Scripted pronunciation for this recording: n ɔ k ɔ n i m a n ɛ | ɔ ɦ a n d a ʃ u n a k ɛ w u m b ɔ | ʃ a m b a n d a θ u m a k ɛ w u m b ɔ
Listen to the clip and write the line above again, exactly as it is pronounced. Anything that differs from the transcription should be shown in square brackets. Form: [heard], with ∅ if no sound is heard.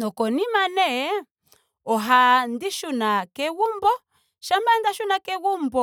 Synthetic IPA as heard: n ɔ k ɔ n i m a n ɛ | ɔ ɦ a n d [i] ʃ u n a k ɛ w u m b ɔ | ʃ a m b a n d a [ʃ] u [n] a k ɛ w u m b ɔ